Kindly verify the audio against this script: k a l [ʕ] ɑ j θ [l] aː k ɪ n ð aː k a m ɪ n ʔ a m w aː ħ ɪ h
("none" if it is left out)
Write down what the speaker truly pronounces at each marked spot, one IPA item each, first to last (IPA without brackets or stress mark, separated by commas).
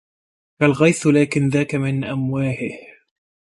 ɣ, l